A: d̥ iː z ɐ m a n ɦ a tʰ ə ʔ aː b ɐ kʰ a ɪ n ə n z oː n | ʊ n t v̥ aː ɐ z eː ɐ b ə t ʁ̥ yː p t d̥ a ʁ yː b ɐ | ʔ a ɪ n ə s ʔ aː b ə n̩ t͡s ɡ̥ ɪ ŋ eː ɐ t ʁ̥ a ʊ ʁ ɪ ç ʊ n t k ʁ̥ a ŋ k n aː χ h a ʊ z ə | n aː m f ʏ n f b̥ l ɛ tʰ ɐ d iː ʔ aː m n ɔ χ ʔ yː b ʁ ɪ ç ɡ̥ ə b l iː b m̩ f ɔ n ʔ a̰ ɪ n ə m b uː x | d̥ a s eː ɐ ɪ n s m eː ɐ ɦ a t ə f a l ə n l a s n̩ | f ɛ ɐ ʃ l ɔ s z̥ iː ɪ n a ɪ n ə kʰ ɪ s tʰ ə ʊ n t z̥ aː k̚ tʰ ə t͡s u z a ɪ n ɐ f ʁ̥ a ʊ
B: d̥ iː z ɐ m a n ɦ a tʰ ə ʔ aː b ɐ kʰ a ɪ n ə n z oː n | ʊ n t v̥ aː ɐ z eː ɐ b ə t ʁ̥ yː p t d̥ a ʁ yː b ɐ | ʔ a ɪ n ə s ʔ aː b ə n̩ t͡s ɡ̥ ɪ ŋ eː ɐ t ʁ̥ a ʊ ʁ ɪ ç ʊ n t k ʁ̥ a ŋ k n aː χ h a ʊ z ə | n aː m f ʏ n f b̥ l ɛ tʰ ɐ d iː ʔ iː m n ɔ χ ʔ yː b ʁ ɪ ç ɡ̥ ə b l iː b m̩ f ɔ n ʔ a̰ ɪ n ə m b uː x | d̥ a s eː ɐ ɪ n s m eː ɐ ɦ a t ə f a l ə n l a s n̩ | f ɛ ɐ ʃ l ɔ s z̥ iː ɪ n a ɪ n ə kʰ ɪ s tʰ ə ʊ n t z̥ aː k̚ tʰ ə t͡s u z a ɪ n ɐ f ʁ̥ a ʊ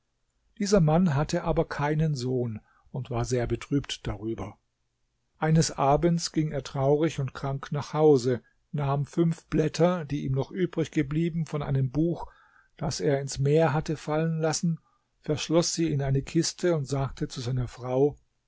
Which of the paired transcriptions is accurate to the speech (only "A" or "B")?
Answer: B